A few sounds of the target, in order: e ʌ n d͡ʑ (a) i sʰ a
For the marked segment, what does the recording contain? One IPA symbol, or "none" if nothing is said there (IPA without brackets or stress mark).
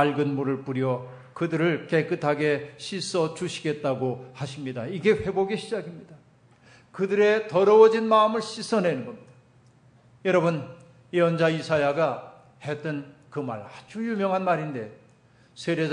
a